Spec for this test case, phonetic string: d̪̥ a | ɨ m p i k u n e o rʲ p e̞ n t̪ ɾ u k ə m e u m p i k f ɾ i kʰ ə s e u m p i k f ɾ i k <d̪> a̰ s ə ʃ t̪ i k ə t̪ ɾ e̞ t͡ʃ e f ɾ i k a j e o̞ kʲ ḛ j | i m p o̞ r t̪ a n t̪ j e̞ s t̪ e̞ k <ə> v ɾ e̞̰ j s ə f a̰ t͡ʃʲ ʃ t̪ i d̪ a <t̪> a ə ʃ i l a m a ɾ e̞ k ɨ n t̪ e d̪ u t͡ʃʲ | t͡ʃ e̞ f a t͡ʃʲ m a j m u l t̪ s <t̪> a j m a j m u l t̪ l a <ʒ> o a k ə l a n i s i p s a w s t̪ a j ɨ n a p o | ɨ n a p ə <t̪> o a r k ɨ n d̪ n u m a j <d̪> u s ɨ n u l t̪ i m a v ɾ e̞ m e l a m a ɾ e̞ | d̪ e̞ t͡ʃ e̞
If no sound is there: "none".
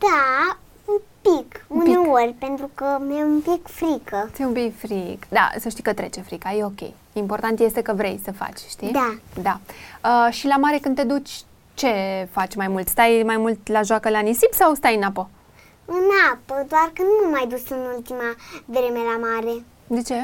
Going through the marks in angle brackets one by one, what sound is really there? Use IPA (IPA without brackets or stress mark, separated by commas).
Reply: d̪, ə, d̪, t̪, ʒ, d̪, d̪